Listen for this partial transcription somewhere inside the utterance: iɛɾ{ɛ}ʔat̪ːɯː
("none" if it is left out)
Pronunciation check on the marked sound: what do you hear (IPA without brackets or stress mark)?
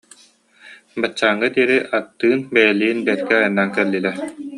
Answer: i